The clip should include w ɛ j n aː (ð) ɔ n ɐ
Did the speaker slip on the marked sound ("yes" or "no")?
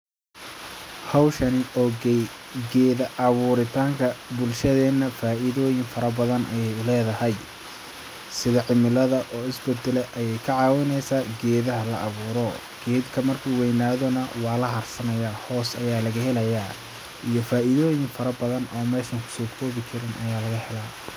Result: no